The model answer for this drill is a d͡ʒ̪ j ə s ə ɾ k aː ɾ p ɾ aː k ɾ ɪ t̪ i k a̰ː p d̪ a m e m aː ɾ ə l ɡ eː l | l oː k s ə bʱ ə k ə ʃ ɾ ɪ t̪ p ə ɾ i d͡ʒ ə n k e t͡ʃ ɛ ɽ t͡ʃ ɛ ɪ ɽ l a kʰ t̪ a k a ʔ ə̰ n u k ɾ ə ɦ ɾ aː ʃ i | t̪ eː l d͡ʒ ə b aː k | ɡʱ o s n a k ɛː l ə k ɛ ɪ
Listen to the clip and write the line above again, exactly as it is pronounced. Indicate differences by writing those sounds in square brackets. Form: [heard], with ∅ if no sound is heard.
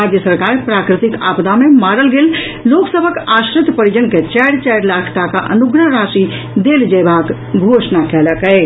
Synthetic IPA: a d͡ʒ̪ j ə s ə ɾ k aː ɾ p ɾ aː k ɾ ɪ t̪ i k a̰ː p d̪ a m e m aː ɾ ə l ɡ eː l | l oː k s ə bʱ ə k [a] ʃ ɾ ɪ t̪ p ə ɾ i d͡ʒ ə n k e t͡ʃ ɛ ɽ t͡ʃ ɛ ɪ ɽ l a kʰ t̪ a k a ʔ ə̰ n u [ɡ] ɾ ə ɦ ɾ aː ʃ i | [d̪] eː l d͡ʒ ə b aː k | ɡʱ o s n a k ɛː l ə k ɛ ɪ